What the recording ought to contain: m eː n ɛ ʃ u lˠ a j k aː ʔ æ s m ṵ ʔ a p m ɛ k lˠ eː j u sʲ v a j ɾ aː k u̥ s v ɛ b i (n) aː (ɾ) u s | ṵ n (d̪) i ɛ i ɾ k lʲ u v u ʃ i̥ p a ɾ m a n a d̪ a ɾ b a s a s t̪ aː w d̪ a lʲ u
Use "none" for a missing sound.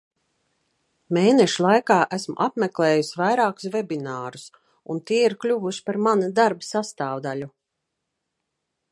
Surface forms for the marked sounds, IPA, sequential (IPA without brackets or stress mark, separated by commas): n, ɾ, t̪